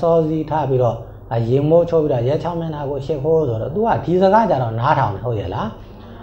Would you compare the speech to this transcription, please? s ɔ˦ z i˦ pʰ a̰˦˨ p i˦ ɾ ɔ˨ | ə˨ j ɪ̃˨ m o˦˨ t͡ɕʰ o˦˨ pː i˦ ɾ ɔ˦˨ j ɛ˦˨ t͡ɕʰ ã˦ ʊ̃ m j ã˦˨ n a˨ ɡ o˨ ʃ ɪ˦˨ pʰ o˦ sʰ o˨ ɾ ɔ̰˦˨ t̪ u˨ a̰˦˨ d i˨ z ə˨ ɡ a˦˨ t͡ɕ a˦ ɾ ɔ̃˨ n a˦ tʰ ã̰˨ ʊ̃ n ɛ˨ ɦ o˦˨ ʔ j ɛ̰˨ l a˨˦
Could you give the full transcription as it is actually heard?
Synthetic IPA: s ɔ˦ z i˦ tʰ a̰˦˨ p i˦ ɾ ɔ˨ | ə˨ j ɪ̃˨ m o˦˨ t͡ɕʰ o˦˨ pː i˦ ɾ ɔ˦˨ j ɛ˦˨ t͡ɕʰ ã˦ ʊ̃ m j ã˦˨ n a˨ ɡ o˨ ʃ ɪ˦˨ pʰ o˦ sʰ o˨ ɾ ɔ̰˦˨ t̪ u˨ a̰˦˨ d i˨ z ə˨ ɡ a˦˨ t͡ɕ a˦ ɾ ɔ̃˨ n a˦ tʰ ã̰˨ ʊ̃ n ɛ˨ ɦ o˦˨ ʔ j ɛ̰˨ l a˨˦

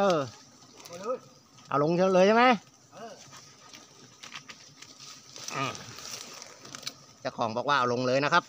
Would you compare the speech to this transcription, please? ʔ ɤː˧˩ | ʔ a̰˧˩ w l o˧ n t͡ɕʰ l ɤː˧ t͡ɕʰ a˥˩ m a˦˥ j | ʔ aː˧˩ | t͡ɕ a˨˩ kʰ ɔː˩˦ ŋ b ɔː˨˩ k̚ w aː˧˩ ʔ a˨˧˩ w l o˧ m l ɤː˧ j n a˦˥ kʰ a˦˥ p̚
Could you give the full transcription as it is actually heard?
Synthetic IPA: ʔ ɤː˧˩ | ʔ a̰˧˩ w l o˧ ŋ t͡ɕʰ l ɤː˧ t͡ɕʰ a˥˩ m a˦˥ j | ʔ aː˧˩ | t͡ɕ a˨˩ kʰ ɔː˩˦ ŋ b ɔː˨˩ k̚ w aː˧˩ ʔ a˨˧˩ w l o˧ ŋ l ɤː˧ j n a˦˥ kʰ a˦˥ p̚

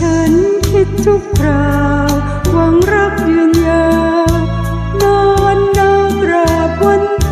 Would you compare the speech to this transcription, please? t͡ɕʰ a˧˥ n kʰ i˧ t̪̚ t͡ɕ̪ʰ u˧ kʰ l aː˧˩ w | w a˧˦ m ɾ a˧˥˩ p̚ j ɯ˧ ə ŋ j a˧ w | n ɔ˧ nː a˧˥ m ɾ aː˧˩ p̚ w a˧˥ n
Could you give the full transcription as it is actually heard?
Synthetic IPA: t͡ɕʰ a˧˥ n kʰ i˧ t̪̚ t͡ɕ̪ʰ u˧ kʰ ɾ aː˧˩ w | w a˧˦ ŋ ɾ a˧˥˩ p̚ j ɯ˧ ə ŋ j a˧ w | n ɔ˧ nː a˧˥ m ɾ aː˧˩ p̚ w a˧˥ n

